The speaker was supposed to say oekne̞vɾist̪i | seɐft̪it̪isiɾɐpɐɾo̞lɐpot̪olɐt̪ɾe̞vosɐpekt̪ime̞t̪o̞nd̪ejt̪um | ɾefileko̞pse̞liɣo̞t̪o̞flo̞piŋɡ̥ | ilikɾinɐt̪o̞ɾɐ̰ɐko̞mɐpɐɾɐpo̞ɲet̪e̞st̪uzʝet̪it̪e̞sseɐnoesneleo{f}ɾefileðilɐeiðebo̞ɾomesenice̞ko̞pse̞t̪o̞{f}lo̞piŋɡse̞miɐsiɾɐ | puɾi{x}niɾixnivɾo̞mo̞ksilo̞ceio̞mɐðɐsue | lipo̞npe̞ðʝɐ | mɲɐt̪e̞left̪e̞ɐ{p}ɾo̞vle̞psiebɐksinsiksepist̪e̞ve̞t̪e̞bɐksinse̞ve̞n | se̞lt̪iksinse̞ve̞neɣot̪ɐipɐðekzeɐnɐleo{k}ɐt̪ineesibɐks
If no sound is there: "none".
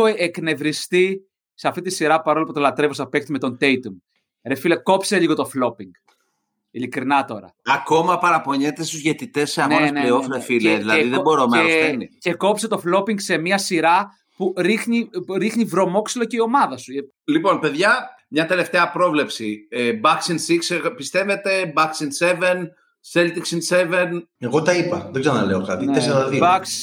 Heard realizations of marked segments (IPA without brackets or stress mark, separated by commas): f, f, x, p, k